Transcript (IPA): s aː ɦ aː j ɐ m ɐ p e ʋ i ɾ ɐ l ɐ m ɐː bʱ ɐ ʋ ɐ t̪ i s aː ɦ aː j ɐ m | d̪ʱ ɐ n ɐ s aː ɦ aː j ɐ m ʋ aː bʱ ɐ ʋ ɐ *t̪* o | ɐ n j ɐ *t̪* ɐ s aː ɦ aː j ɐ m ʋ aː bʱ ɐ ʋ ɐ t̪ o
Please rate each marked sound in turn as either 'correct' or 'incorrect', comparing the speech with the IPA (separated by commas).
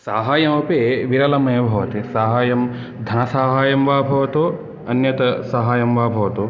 correct, correct